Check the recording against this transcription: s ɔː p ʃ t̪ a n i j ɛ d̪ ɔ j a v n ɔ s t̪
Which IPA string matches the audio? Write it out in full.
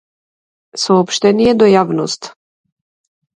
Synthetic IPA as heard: s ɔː p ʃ t̪ ɛ n i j ɛ d̪ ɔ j a v n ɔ s t̪

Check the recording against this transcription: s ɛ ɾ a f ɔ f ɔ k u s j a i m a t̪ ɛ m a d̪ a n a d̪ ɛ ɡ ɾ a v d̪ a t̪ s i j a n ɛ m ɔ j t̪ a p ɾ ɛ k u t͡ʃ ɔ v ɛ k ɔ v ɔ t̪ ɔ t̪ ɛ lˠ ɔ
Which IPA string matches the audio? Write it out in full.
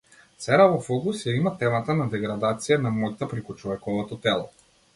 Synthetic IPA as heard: s ɛ ɾ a v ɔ f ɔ k u s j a i m a t̪ ɛ m a t̪ a n a d̪ ɛ ɡ ɾ a d̪ a t̪ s i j a n a m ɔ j t̪ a p ɾ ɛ k u t͡ʃ ɔ v ɛ k ɔ v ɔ t̪ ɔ t̪ ɛ lˠ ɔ

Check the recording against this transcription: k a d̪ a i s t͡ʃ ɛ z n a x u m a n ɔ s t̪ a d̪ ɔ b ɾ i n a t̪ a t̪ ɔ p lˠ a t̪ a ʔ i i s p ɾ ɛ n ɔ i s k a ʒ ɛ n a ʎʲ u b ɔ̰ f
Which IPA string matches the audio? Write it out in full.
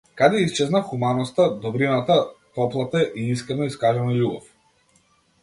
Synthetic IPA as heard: k a d̪ ɛ i s t͡ʃ ɛ z n a x u m a n ɔ s t̪ a d̪ ɔ b ɾ i n a t̪ a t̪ ɔ p lˠ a t̪ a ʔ i i s k ɾ ɛ n ɔ i s k a ʒ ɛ n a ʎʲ u b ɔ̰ f

